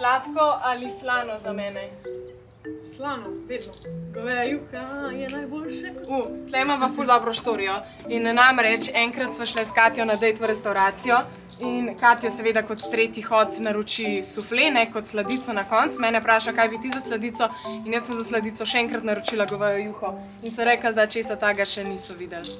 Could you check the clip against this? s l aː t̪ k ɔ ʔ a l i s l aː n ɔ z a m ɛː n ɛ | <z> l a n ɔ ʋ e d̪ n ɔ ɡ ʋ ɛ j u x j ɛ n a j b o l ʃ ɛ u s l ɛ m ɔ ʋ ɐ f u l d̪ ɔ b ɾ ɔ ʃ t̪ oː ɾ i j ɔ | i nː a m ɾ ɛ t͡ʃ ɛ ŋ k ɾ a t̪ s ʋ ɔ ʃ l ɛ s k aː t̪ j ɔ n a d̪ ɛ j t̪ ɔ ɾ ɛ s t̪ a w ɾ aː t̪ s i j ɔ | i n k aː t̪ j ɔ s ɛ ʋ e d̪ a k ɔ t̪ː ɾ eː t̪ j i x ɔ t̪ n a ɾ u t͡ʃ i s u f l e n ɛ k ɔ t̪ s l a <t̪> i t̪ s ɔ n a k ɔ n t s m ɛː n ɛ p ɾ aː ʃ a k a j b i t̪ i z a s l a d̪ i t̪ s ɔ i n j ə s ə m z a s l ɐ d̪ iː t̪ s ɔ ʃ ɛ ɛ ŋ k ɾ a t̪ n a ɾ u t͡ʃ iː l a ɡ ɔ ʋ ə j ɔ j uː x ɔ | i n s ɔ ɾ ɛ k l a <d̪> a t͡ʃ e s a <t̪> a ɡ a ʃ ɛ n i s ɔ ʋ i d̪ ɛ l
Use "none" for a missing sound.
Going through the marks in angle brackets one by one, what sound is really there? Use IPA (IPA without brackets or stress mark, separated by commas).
s, d̪, d̪, t̪